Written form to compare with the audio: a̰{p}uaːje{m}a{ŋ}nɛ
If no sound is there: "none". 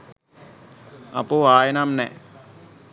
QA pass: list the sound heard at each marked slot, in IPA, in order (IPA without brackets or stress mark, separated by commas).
p, n, m